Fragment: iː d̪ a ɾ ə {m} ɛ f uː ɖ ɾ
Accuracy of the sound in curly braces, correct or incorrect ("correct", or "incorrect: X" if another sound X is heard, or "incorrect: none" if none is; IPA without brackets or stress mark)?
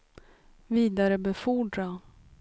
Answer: incorrect: b